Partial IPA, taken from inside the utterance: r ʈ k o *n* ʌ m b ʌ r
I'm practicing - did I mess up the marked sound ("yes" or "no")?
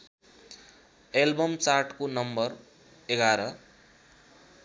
no